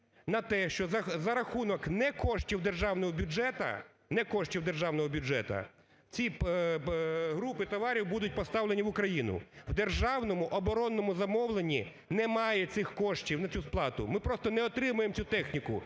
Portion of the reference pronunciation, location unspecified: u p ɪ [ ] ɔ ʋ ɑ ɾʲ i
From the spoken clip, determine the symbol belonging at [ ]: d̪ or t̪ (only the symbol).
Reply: t̪